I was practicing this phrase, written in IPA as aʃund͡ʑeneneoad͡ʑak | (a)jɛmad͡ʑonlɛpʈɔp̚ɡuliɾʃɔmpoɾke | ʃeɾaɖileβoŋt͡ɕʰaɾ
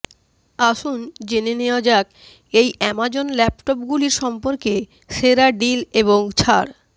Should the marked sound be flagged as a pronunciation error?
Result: yes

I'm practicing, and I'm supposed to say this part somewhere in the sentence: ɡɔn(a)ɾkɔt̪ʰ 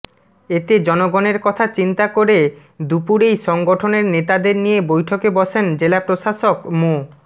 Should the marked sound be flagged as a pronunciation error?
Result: yes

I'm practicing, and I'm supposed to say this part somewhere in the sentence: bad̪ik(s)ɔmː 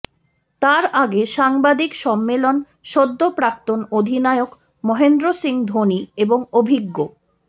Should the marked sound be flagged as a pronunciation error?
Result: yes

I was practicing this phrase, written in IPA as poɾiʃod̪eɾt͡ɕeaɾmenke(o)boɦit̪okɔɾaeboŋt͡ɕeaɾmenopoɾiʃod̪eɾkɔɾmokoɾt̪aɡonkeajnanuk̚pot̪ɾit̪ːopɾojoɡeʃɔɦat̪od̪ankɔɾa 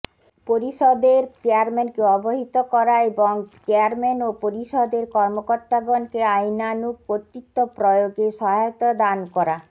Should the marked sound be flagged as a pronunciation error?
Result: yes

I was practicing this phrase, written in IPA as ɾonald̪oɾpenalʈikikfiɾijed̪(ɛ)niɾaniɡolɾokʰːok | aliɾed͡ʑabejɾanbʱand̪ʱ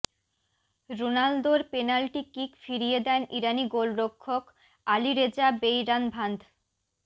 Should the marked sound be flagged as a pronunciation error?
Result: no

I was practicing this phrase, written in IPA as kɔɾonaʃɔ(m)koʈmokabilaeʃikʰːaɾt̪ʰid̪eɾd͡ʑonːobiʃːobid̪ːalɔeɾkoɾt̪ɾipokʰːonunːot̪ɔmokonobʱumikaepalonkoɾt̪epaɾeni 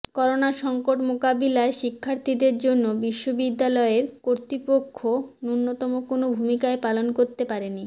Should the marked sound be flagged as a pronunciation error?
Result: yes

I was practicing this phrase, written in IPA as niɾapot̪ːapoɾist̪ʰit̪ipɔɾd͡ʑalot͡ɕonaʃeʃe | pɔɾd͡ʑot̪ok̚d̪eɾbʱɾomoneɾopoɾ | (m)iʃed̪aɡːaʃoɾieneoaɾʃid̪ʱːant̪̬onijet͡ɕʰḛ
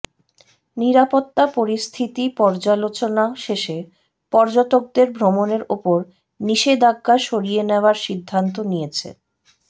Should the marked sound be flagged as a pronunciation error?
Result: yes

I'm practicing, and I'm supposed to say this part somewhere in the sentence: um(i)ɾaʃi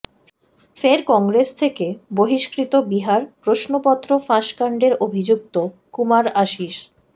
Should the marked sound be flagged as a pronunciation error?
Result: yes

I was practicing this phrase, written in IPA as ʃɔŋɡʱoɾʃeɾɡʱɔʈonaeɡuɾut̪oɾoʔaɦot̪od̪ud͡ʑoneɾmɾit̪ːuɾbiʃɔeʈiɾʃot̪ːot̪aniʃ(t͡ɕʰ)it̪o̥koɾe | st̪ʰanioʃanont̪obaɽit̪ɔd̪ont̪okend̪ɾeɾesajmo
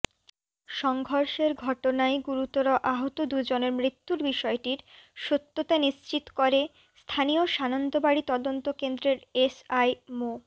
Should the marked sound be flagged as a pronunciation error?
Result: yes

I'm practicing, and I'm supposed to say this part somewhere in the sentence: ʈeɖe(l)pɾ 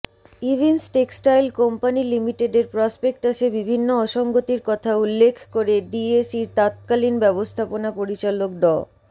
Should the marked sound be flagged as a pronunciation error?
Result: yes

